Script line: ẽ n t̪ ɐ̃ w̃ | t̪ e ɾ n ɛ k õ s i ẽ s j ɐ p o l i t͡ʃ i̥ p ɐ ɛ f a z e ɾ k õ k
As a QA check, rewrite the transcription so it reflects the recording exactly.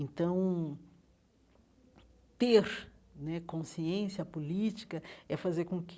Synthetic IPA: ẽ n t̪ ɐ̃ w̃ | t̪ e ɾ n ɛ k õ s i ẽ s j ɐ p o l i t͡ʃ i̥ k ɐ ɛ f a z e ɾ k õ k